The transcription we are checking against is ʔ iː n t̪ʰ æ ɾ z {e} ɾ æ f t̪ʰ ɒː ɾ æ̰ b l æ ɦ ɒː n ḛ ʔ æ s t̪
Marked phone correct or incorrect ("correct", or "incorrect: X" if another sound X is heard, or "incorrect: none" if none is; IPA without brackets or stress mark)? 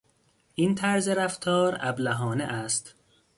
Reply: correct